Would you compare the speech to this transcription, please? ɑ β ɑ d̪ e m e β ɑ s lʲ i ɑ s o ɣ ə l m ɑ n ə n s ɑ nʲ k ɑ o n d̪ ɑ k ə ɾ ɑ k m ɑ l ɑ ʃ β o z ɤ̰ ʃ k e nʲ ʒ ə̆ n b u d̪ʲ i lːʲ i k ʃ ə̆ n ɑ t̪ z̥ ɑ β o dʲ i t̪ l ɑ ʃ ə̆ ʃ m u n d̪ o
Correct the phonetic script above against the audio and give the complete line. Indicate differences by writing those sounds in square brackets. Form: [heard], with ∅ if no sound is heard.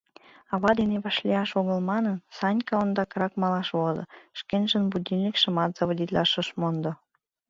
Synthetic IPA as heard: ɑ β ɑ d̪ e [n] e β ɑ [ʃ] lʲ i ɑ [ʃ] o ɣ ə l m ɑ n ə n s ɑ nʲ k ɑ o n d̪ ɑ k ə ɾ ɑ k m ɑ l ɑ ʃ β o z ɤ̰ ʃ k e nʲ ʒ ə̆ n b u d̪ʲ i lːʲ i k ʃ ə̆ [m] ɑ t̪ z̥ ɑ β o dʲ i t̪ l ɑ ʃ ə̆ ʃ m [o] n d̪ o